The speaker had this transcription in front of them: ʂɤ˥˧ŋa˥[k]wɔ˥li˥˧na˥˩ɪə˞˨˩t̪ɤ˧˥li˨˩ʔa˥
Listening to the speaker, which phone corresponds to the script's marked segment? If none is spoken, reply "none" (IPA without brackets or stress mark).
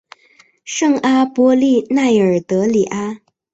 p